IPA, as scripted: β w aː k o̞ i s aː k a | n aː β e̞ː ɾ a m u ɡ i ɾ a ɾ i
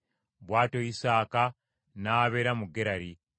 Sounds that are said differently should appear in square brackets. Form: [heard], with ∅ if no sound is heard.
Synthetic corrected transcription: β w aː [t] o̞ i s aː k a | n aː β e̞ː ɾ a m u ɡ [e] ɾ a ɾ i